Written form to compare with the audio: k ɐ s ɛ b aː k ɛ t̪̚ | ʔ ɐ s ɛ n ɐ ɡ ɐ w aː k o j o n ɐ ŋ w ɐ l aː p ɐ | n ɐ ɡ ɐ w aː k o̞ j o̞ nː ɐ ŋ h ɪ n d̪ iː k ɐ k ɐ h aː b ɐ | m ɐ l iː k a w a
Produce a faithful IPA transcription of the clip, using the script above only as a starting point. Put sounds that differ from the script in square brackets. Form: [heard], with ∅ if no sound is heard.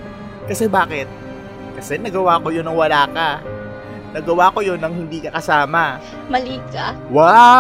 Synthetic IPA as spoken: k ɐ s ɛ b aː k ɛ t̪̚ | [k] ɐ s ɛ n ɐ ɡ ɐ w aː k o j o n ɐ ŋ w ɐ l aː [k] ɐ | n ɐ ɡ ɐ w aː k o̞ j o̞ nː ɐ ŋ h ɪ n d̪ iː k ɐ k ɐ [s] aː [m] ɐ | m ɐ l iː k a w a